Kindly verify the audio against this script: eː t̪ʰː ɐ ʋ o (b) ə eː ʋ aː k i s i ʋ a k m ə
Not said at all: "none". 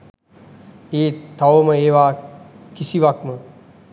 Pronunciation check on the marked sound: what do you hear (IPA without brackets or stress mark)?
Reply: m